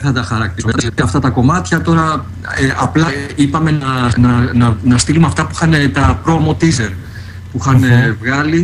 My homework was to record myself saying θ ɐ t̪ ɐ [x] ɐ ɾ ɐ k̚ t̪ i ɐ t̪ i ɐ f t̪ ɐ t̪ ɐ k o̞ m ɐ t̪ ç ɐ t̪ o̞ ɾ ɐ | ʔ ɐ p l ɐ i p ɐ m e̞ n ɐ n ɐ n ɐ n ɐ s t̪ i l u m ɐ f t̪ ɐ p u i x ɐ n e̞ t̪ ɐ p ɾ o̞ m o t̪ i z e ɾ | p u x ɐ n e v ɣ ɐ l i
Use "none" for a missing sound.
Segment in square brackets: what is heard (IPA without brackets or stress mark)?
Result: x